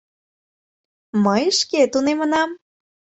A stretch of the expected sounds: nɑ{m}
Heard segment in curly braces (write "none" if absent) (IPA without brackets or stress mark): m